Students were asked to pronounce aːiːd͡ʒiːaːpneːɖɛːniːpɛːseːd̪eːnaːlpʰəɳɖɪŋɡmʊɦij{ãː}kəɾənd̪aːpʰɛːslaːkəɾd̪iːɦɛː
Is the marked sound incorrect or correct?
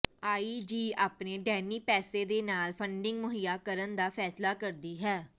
incorrect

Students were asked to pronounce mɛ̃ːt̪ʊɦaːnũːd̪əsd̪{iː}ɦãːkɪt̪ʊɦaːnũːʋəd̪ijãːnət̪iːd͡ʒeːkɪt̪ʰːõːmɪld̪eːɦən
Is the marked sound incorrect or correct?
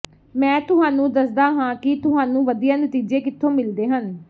incorrect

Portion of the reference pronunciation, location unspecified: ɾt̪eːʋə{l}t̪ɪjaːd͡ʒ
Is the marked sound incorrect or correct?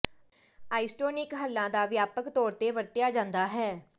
incorrect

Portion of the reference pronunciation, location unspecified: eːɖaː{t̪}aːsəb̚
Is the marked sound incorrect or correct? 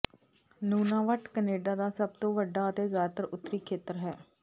incorrect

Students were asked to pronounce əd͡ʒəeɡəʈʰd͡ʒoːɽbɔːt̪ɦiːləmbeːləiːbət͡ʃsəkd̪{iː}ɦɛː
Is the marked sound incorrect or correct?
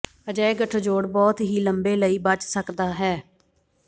incorrect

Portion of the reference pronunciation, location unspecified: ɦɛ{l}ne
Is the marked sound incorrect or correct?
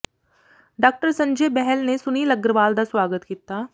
correct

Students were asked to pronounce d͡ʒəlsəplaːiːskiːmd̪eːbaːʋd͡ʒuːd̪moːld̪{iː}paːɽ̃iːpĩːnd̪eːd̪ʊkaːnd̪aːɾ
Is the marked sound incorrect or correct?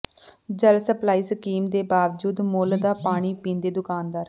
incorrect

